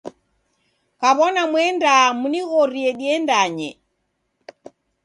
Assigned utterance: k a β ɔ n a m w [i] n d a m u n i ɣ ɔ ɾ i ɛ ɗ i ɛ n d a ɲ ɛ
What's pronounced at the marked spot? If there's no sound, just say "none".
ɛ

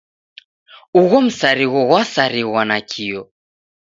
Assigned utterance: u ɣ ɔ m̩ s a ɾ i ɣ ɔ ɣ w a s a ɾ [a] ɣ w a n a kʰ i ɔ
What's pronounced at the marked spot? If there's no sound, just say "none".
i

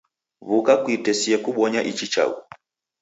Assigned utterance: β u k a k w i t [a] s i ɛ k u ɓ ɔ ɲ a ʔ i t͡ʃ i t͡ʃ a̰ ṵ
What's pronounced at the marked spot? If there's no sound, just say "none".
ɛ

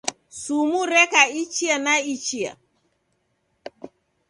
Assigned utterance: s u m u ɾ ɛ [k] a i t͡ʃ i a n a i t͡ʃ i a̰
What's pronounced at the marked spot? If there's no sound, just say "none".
k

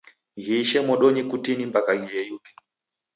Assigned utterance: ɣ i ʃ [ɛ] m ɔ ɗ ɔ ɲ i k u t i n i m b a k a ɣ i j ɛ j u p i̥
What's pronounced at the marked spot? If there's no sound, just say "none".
ɛ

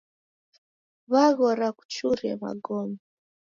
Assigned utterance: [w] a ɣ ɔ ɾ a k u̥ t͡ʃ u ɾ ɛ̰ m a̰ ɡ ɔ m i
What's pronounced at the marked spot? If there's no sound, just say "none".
β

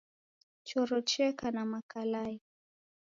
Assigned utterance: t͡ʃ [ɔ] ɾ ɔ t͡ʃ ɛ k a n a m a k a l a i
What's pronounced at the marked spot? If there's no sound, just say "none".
ɔ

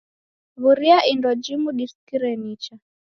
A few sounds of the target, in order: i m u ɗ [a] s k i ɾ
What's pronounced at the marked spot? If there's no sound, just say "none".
i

